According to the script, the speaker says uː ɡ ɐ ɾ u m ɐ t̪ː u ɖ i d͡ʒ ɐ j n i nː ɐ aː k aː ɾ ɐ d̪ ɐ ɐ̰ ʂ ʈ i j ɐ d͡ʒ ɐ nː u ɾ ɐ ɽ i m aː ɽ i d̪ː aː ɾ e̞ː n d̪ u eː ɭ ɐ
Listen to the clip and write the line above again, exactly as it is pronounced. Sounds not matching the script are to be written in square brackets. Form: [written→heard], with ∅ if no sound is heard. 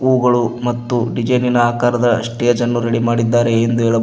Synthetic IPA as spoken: uː ɡ ɐ [ɾ→ɭ] u m ɐ t̪ː u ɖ i d͡ʒ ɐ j n i [nː→n] ɐ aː k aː ɾ ɐ d̪ ɐ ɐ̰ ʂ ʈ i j ɐ d͡ʒ ɐ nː u ɾ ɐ ɽ i m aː ɽ i d̪ː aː ɾ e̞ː n d̪ u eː ɭ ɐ

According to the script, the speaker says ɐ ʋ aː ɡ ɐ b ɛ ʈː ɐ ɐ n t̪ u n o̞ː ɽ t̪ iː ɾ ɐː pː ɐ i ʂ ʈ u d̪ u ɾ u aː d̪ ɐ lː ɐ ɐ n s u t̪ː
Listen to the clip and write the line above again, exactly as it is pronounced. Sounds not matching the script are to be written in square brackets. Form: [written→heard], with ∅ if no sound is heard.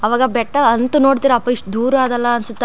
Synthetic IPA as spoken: ɐ ʋ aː ɡ ɐ b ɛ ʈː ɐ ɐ n t̪ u n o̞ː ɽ t̪ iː ɾ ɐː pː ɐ i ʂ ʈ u d̪ [u→uː] ɾ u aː d̪ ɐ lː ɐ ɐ n s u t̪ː

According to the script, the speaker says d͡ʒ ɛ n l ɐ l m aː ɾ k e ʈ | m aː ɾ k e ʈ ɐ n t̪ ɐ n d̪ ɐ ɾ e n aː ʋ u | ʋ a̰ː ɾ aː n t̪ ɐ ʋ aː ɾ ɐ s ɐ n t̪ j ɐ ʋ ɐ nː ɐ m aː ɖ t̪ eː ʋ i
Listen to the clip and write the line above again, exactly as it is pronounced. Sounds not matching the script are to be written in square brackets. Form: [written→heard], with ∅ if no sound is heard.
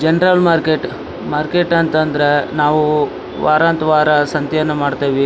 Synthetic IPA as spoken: d͡ʒ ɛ n [l→ɾ] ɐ l m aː ɾ k e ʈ | m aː ɾ k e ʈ ɐ n t̪ ɐ n d̪ ɐ ɾ e n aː ʋ u | ʋ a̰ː ɾ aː n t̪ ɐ ʋ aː ɾ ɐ s ɐ n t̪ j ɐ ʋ ɐ nː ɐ m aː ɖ t̪ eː ʋ i

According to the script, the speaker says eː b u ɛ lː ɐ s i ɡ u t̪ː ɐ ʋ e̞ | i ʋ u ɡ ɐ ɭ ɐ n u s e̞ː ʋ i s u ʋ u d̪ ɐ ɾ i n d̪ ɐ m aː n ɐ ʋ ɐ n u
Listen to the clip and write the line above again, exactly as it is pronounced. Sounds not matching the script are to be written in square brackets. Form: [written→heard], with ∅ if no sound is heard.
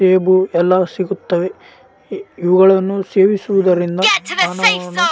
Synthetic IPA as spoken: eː b u ɛ lː ɐ s i ɡ u t̪ː ɐ ʋ e̞ | i ʋ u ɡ ɐ ɭ ɐ [n→nː] u s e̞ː ʋ i s u ʋ u d̪ ɐ ɾ i n d̪ ɐ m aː n ɐ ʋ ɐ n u

